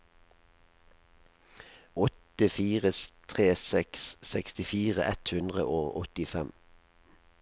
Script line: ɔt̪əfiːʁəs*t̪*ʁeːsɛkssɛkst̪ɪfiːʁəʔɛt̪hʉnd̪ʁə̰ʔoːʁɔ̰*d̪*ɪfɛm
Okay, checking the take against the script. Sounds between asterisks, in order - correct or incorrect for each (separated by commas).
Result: incorrect, incorrect